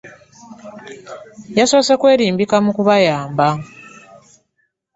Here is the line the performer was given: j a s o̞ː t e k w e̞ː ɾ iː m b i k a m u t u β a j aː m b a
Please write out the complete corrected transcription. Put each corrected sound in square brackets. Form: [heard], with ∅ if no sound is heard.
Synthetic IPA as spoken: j a s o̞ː [s] e k w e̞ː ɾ iː m b i k a m u [k] u β a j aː m b a

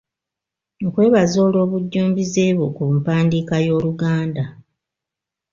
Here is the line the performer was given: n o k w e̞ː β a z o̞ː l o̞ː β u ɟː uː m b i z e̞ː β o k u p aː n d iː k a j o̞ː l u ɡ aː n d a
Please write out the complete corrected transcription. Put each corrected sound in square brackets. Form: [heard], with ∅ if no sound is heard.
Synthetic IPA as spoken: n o k w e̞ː β a z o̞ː l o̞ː β u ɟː uː m b i z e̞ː β o k u p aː n d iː k a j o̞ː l u ɡ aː n d a

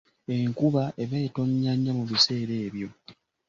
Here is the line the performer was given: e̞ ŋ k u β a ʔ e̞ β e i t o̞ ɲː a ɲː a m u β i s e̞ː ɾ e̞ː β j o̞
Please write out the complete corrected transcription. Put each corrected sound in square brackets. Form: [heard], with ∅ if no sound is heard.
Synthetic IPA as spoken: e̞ ŋ k u β a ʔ e̞ β e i t o̞ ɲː a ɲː a m u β i s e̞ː ɾ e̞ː β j o̞

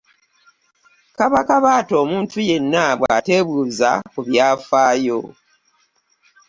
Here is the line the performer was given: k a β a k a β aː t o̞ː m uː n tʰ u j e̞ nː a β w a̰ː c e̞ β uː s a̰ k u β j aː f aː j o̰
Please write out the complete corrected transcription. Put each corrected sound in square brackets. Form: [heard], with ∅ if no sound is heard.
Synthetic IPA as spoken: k a β a k a β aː t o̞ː m uː n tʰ u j e̞ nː a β w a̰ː [t] e̞ β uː [z] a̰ k u β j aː f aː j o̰

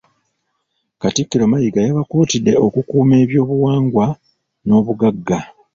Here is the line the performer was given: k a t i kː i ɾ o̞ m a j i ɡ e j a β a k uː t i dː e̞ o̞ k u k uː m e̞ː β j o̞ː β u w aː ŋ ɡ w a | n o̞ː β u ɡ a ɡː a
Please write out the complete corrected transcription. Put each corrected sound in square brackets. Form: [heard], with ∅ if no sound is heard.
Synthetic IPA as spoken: k a t i kː i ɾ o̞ m a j i ɡ [a] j a β a k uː t i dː e̞ o̞ k u k uː m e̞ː β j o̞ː β u w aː ŋ ɡ w a | n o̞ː β u ɡ a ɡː a

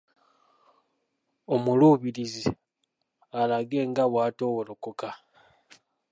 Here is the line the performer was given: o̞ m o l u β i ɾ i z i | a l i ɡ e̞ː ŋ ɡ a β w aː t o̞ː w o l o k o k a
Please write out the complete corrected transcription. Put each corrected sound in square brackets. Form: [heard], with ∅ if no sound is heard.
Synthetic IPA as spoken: o̞ m [u] l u β i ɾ i z i | a l [a] ɡ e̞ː ŋ ɡ a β w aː t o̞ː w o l o k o k a

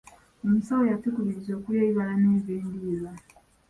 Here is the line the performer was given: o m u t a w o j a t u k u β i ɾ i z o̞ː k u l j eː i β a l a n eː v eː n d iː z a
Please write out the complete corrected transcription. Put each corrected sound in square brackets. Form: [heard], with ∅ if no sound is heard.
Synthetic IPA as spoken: o m u [s] a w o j a t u k u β i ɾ i z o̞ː k u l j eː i β a l a n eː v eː n d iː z a

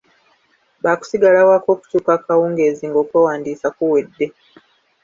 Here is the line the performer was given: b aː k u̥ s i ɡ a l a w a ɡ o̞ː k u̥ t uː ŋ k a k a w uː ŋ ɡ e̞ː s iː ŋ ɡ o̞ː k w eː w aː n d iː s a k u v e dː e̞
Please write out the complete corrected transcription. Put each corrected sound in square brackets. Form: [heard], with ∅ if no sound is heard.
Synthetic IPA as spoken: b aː k u̥ s i ɡ a l a w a [k] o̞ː k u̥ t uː [∅] k a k a w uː ŋ ɡ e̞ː [z] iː ŋ ɡ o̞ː k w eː w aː n d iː s a k u [w] e dː e̞

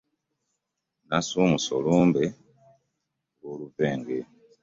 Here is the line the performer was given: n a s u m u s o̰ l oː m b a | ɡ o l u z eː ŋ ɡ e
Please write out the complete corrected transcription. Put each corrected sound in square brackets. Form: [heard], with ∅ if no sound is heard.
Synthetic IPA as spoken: n a s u m u s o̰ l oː m b [e] | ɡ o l u [v] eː ŋ ɡ e

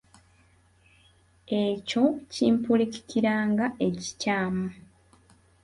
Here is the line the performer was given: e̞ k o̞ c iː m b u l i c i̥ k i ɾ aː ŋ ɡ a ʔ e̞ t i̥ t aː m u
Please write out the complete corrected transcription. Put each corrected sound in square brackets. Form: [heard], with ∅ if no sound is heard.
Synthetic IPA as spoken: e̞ [c] o̞ c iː m [p] u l i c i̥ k i ɾ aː ŋ ɡ a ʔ e̞ [c] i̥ [c] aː m u

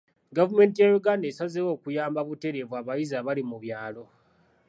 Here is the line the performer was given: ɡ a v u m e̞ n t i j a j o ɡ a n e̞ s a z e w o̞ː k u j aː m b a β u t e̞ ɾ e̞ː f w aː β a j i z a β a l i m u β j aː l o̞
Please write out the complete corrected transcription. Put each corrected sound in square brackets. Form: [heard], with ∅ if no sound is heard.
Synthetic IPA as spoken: ɡ a v u m e̞ n t i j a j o ɡ a n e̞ s a z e w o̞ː k u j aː m b a β u t e̞ ɾ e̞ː [v] w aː β a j i z a β a l i m u β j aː l o̞

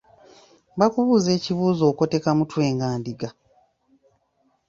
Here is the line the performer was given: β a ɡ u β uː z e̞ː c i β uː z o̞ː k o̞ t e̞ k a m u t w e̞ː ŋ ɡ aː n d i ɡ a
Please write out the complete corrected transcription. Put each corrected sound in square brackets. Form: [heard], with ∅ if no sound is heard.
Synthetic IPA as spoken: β a [k] u β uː z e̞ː c i β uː z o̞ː k o̞ t e̞ k a m u t w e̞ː ŋ ɡ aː n d i ɡ a

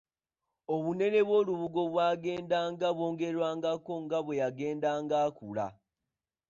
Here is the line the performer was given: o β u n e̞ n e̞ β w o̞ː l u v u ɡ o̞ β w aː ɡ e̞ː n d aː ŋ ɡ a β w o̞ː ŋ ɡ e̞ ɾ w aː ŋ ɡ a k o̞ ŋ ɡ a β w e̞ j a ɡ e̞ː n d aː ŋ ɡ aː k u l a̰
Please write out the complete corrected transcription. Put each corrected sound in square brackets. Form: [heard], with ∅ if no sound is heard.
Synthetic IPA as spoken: o β u n e̞ n e̞ β w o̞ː l u [β] u ɡ o̞ β w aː ɡ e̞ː n d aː ŋ ɡ a β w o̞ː ŋ ɡ e̞ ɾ w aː ŋ ɡ a k o̞ ŋ ɡ a β w e̞ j a ɡ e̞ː n d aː ŋ ɡ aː k u l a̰

